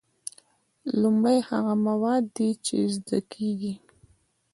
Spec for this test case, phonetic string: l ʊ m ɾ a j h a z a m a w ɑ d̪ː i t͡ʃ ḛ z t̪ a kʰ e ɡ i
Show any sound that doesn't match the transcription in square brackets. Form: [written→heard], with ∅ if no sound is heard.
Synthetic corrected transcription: l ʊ m [ɾ→ɽ] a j h a [z→ɣ] a m a w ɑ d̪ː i t͡ʃ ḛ z [t̪→d̪] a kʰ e ɡ i